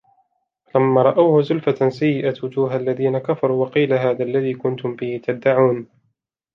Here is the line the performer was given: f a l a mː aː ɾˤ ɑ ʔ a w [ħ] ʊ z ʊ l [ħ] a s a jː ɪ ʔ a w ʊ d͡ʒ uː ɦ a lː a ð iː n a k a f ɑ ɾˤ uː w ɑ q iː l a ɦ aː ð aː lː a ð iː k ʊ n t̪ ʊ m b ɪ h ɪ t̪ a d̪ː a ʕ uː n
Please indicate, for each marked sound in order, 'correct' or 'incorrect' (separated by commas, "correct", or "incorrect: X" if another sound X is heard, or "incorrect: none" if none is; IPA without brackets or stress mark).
incorrect: h, incorrect: f